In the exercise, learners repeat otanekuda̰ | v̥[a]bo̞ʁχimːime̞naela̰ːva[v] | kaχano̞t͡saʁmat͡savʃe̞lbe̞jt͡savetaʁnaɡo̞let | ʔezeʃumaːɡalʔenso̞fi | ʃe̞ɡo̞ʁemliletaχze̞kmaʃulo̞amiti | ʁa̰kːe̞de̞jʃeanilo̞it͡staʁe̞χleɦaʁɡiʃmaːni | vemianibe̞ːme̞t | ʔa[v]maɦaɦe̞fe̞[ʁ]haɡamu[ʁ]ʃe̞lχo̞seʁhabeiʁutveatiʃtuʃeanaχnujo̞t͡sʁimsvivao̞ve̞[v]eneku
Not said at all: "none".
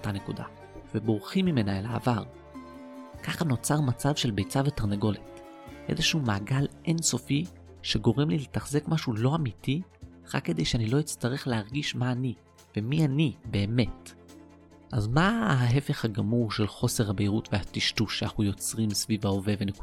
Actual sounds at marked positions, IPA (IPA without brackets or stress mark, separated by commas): e, ʁ, z, χ, ʁ, v